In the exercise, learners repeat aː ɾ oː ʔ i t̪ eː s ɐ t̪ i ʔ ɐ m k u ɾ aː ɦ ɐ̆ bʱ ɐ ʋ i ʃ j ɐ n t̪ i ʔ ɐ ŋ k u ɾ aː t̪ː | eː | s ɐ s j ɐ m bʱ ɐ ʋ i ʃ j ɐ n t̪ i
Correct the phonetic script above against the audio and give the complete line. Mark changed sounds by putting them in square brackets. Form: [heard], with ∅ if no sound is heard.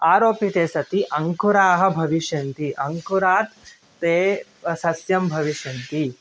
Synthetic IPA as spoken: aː ɾ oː [p] i t̪ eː s ɐ t̪ i ʔ ɐ [ŋ] k u ɾ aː ɦ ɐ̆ bʱ ɐ ʋ i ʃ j ɐ n t̪ i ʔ ɐ ŋ k u ɾ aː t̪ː | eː | s ɐ s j ɐ m bʱ ɐ ʋ i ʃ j ɐ n t̪ i